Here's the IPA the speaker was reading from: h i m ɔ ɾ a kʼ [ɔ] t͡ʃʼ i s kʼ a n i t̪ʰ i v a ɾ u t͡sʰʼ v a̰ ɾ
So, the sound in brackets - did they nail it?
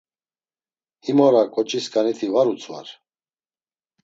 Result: yes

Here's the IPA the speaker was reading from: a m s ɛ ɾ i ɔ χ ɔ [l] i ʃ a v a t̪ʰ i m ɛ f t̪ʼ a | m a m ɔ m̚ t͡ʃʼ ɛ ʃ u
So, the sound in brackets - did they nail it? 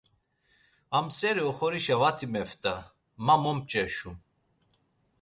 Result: no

